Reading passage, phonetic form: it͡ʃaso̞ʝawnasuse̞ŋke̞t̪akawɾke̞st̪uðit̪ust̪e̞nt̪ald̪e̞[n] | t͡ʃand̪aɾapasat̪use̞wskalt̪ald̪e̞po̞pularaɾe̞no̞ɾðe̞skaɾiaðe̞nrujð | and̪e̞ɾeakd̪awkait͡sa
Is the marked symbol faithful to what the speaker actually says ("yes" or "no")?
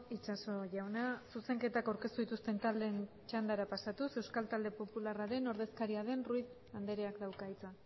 yes